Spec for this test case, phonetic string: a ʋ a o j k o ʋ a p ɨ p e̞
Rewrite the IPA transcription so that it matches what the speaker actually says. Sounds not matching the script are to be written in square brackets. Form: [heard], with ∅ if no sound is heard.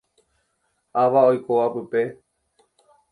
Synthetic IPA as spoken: a ʋ a o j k o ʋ a p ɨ p e̞